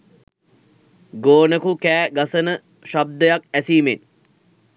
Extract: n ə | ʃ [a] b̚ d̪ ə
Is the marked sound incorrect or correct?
correct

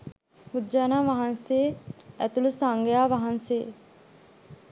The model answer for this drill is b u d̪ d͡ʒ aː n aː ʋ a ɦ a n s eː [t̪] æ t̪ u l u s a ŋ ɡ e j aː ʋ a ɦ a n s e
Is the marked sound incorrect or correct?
incorrect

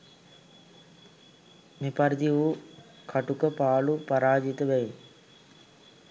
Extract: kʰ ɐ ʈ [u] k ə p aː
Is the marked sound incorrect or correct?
correct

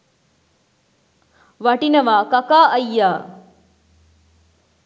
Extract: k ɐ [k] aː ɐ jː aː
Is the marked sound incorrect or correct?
correct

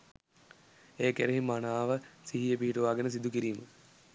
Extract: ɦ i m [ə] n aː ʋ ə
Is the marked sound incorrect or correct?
incorrect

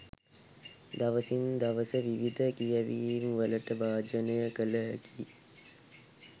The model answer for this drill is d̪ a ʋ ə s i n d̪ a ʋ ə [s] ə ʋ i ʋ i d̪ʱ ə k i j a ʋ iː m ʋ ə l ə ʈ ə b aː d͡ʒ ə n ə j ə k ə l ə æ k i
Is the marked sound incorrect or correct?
correct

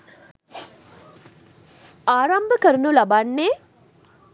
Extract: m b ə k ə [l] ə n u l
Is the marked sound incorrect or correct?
incorrect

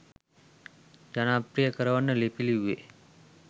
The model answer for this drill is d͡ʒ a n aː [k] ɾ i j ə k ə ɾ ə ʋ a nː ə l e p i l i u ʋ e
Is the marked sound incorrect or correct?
incorrect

